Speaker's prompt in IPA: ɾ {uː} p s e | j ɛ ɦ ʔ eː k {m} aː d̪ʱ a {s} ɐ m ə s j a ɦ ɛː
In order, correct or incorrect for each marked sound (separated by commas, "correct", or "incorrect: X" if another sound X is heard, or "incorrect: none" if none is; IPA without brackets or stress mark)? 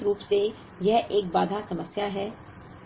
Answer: correct, incorrect: b, correct